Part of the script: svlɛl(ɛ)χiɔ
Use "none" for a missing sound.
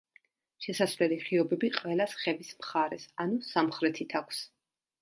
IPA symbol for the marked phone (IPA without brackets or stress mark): i